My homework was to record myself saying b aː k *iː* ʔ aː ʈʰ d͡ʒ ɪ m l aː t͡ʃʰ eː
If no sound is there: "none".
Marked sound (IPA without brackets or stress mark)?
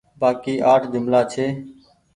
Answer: iː